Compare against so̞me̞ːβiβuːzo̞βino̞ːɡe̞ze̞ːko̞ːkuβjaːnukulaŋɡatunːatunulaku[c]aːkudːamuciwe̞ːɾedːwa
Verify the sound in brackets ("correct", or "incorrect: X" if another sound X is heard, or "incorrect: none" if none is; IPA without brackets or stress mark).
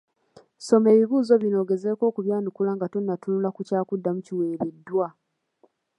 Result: correct